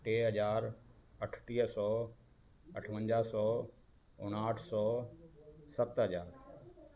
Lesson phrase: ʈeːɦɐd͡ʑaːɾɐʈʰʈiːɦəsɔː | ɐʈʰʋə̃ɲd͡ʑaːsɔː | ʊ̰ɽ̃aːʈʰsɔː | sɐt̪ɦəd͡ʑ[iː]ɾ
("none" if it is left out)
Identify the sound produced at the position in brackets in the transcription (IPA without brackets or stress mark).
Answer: aː